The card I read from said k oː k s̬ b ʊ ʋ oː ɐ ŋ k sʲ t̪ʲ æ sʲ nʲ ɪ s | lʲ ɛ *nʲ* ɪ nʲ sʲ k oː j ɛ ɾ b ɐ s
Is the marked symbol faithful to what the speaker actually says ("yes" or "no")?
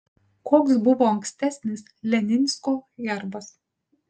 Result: yes